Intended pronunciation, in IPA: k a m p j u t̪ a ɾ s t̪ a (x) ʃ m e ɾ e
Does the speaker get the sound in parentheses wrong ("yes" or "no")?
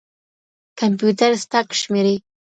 yes